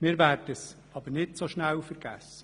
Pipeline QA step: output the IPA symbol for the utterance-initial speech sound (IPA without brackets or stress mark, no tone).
m